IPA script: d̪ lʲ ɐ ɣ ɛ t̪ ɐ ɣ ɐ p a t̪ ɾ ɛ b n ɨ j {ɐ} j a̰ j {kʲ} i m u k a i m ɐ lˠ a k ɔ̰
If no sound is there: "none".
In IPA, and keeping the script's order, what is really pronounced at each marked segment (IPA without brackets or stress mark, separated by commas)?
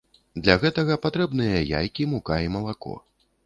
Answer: ɐ, kʲ